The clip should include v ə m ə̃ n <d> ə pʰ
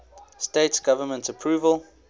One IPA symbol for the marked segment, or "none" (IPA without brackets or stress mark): t